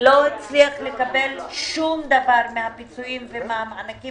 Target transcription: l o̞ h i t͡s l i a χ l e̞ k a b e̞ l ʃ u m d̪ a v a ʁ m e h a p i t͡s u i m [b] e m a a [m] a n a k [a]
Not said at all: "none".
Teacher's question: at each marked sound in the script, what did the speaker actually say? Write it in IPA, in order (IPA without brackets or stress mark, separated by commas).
v, m, i